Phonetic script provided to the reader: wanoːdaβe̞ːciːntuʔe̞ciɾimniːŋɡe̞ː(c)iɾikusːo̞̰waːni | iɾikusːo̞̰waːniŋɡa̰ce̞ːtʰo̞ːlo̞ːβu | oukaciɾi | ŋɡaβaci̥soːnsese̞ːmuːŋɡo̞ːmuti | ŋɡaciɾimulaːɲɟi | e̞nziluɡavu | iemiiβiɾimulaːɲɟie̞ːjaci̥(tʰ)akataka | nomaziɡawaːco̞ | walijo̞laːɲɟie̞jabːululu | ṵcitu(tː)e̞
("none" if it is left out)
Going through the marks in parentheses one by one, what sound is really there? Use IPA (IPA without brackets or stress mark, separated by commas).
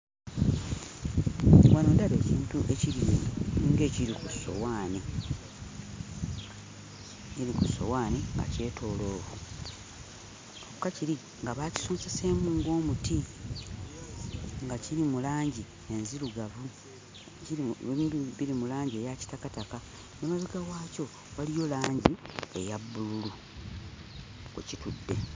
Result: c, t, dː